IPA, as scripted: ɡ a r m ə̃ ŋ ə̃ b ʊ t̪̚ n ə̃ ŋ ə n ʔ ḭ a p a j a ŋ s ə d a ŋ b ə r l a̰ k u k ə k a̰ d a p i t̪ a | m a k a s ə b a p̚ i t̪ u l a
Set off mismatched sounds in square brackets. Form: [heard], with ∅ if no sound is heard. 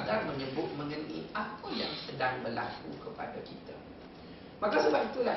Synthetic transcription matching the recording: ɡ a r m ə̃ [ɲ] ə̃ b ʊ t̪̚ [m] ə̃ ŋ ə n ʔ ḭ a p a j a ŋ s ə d a ŋ b ə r l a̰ k u k ə [p] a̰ d a [k] i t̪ a | m a k a s ə b a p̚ i t̪ u l a